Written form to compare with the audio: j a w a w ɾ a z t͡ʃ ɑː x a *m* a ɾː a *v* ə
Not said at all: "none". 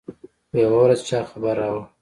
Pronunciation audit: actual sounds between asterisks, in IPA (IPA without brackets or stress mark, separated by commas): b, w